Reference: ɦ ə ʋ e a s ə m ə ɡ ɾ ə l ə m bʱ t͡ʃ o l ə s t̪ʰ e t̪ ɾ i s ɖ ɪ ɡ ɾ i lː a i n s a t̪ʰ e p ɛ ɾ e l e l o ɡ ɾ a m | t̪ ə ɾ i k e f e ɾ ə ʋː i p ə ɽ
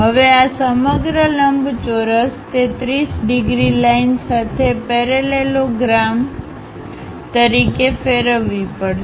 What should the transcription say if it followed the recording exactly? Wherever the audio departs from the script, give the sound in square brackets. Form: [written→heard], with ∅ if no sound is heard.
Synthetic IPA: ɦ ə ʋ e a s ə m ə ɡ ɾ ə l ə m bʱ t͡ʃ o [l→ɾ] ə s [t̪ʰ→t̪] e t̪ ɾ i s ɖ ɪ ɡ ɾ i [lː→l] a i n s a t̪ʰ e p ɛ ɾ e l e l o ɡ ɾ a m | t̪ ə ɾ i k e f e ɾ ə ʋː i p ə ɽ

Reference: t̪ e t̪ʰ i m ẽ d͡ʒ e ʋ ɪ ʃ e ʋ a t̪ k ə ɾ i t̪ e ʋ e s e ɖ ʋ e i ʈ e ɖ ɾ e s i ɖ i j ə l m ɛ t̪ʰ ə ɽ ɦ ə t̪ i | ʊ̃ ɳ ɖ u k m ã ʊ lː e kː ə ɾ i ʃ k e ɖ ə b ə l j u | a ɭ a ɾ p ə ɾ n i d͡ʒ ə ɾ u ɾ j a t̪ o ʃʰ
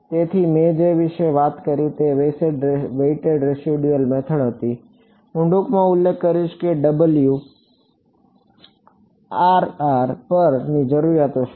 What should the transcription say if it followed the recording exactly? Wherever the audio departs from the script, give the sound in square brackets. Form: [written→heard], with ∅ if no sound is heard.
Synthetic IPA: t̪ e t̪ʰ i m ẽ d͡ʒ e ʋ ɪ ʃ e ʋ a t̪ k ə ɾ i t̪ e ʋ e s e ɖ ʋ e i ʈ e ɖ ɾ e s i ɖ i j ə l m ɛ t̪ʰ ə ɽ ɦ ə t̪ i | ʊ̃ ɳ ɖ u k m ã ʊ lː e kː ə ɾ i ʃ k e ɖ ə b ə l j u | a [ɭ→ɾ] a ɾ p ə ɾ n i d͡ʒ ə ɾ u ɾ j a t̪ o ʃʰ

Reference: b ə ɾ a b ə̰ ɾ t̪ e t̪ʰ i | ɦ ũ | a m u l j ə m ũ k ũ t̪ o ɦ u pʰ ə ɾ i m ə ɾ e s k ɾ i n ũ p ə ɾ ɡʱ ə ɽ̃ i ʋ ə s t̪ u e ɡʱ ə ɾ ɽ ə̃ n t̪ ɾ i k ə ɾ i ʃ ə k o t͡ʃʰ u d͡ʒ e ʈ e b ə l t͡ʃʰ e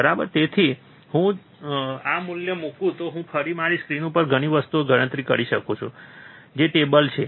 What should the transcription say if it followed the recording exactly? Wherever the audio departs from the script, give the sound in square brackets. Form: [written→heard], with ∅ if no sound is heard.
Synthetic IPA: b ə ɾ a b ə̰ ɾ t̪ e t̪ʰ i | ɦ ũ | a m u l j ə m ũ k ũ t̪ o ɦ [u→ũ] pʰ ə ɾ i m [ə→a] ɾ [e→i] s k ɾ i n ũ p ə ɾ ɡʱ ə ɽ̃ i ʋ ə s t̪ u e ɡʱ ə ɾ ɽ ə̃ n t̪ ɾ i k ə ɾ i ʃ ə k o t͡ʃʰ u d͡ʒ e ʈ e b ə l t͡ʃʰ e

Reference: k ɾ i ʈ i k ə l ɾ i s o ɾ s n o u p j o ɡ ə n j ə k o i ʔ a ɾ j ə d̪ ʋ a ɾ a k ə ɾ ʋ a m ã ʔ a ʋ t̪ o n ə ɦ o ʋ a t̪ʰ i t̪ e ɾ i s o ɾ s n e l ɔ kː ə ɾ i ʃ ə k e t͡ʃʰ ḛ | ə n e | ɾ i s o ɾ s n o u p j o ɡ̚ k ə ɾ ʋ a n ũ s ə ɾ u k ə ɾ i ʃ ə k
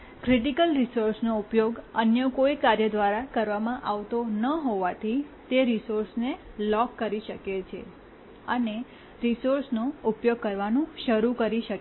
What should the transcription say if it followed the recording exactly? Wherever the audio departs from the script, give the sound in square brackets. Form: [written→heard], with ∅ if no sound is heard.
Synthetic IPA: k ɾ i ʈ i k ə l ɾ i s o ɾ s n o u p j o ɡ ə n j ə k o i [ʔ→k] a ɾ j ə d̪ ʋ a ɾ a k ə ɾ ʋ a m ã ʔ a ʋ t̪ o n ə ɦ o ʋ a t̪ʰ i t̪ e ɾ i s o ɾ s n e l ɔ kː ə ɾ i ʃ ə k e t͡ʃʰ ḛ | ə n e | ɾ i s o ɾ s n o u p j o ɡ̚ k ə ɾ ʋ a n ũ [s→ʃ] ə ɾ u k ə ɾ i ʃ ə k

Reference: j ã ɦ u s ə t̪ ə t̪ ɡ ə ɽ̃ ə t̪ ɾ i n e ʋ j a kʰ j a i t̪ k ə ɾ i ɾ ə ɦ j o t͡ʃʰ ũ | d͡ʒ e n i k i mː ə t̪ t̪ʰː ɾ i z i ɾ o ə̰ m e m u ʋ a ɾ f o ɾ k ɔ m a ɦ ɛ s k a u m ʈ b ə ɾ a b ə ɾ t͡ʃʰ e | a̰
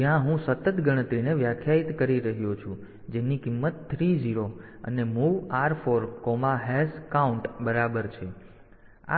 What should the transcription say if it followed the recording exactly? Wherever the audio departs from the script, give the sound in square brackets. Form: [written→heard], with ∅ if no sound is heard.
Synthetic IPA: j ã ɦ [u→ũ] s ə t̪ ə t̪ ɡ ə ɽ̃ ə t̪ ɾ i n e ʋ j a kʰ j a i t̪ k ə ɾ i ɾ ə ɦ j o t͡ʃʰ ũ | d͡ʒ e n i k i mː ə t̪ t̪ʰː ɾ i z i ɾ o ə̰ [m→n] e m u ʋ a ɾ f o ɾ k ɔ m a ɦ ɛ s k a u [m→ɳ] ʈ b ə ɾ a b ə ɾ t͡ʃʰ e | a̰

